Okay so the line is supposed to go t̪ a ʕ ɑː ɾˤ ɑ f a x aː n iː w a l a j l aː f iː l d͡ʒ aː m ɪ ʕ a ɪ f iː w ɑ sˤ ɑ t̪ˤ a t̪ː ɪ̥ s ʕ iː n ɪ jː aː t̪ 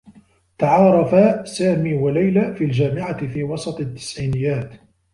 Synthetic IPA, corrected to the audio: t̪ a ʕ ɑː ɾˤ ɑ f a s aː m iː w a l a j l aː f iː l d͡ʒ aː m ɪ ʕ a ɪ f iː w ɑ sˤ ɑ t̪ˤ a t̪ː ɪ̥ s ʕ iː n ɪ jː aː t̪